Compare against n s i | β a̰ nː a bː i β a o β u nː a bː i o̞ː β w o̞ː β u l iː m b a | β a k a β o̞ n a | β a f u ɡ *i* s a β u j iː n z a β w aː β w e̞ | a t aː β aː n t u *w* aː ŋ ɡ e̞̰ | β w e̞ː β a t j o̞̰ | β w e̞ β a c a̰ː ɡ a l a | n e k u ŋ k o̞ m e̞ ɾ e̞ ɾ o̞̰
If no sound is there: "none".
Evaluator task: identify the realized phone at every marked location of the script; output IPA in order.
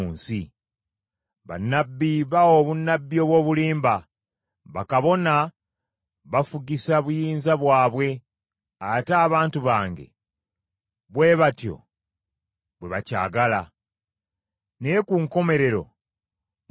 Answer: i, β

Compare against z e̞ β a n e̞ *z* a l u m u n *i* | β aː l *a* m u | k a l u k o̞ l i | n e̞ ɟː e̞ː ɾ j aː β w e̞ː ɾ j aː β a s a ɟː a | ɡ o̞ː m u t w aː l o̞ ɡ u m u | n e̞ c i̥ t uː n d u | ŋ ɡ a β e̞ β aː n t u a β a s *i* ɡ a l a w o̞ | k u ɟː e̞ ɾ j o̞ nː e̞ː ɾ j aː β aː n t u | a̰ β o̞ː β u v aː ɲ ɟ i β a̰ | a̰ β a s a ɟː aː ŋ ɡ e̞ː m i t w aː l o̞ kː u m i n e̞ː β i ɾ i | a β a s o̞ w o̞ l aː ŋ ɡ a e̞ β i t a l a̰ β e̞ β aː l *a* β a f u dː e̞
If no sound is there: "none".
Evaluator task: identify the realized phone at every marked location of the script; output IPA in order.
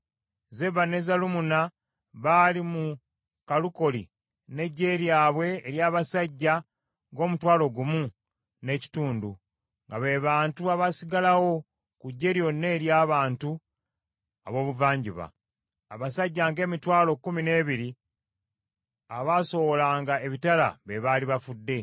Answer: z, a, i, i, i

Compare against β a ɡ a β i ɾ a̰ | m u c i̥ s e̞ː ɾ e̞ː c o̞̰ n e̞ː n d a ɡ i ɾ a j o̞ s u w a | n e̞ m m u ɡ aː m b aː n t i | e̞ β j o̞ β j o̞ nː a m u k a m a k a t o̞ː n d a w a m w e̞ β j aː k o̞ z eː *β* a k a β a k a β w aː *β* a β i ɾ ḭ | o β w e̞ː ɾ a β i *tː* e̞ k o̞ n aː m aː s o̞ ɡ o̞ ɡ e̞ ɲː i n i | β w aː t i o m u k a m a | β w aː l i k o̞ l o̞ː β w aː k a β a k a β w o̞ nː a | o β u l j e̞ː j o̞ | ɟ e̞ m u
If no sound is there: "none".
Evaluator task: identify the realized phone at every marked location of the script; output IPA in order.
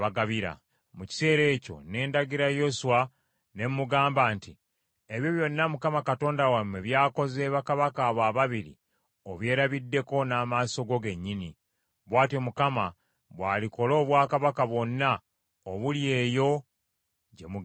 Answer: β, β, dː

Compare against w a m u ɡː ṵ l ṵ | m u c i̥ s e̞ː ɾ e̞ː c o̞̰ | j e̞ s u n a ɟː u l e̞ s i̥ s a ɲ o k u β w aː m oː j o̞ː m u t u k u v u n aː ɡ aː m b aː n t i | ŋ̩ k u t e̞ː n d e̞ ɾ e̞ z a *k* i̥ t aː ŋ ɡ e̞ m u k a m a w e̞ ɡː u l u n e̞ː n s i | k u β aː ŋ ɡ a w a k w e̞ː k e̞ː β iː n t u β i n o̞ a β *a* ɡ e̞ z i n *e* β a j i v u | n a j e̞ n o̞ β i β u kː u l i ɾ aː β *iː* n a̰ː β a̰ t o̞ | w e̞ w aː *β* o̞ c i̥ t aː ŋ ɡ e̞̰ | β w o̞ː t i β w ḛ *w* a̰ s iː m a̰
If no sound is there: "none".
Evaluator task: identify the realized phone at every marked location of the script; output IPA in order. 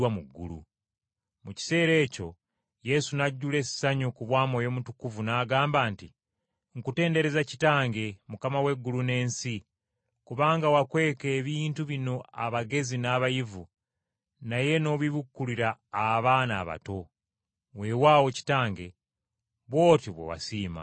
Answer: c, a, a, aː, w, w

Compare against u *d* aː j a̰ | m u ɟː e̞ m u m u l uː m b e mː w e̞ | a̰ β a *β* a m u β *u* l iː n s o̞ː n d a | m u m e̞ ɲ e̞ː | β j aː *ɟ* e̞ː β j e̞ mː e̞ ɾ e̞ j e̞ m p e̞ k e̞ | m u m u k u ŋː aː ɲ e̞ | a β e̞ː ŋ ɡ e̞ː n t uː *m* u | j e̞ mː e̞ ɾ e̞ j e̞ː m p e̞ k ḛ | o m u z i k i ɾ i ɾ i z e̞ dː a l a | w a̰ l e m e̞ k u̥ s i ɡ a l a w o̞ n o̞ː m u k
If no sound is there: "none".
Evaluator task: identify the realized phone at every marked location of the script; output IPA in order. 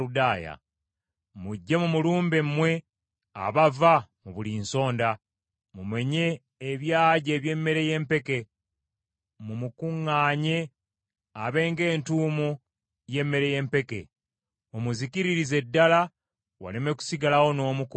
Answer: d, v, u, ɟ, m

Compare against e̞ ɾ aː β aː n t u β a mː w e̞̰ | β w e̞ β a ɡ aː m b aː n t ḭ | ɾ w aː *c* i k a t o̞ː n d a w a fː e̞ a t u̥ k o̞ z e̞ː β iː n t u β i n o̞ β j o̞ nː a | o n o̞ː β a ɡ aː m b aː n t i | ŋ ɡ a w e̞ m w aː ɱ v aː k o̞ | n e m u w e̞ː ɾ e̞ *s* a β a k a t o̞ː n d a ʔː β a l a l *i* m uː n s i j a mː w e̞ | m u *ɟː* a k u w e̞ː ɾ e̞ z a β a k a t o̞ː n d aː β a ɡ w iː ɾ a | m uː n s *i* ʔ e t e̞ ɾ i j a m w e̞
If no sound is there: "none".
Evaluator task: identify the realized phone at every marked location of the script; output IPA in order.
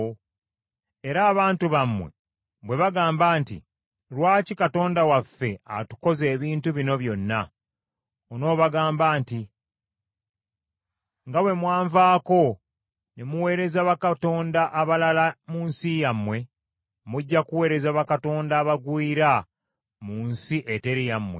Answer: c, z, a, ɟː, i

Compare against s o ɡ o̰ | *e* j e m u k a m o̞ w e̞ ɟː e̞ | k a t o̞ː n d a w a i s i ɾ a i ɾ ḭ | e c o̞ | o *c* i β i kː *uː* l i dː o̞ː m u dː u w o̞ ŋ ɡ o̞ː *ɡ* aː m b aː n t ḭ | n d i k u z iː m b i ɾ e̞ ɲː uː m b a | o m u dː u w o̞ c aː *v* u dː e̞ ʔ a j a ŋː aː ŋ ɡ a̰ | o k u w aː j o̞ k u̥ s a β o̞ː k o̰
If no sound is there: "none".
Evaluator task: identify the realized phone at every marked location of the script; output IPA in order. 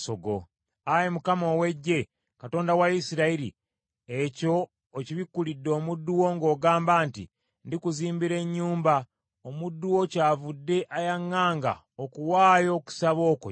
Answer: a, c, u, ɡ, v

